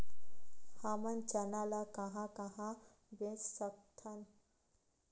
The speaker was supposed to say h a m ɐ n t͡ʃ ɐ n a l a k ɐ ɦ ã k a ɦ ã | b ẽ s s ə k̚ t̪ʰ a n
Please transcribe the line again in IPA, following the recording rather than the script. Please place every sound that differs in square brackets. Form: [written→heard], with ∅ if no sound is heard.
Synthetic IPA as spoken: h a m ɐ n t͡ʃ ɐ n a l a k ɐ ɦ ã k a ɦ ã | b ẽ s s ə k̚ t̪ʰ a n

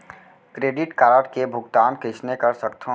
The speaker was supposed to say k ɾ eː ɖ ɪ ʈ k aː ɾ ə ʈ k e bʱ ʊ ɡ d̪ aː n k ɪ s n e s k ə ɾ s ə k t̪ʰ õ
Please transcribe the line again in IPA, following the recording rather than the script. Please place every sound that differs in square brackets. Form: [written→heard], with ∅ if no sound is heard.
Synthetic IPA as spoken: k ɾ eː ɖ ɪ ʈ k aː ɾ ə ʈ k e bʱ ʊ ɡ [d̪→t̪] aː n k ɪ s n e [s→∅] k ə ɾ s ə k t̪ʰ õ

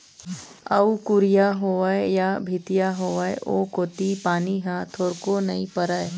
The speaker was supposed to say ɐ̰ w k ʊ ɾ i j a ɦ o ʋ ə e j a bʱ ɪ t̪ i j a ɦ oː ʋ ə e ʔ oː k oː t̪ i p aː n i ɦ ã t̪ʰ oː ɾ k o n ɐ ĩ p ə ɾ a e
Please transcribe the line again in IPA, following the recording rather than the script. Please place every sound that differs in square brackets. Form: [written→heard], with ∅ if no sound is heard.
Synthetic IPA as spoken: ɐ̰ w k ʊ ɾ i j a ɦ o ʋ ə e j a bʱ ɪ t̪ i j a ɦ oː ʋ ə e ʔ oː k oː t̪ i p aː n i ɦ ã t̪ʰ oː ɾ k o n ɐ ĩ p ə ɾ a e

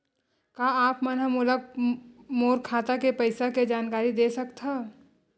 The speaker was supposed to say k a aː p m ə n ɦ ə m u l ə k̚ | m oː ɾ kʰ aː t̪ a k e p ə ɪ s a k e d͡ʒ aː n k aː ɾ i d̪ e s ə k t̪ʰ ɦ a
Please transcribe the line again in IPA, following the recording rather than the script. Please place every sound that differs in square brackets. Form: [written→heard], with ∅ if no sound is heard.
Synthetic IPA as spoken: k a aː p m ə n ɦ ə m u l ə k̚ | m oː ɾ kʰ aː t̪ a k e p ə ɪ s a k e d͡ʒ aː n k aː ɾ i d̪ e s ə k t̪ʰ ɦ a

